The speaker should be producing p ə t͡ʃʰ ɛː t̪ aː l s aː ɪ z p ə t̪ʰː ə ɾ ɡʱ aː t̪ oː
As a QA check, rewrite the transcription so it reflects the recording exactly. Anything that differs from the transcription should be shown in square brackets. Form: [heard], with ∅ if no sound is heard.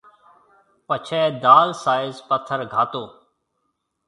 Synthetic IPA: p ə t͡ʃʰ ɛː [d̪] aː l s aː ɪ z p ə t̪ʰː ə ɾ ɡʱ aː t̪ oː